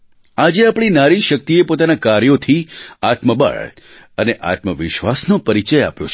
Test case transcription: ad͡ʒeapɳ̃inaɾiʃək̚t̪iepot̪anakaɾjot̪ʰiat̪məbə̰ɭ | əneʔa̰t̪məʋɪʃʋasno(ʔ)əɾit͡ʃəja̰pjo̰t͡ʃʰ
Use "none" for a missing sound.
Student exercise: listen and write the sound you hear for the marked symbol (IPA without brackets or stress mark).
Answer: p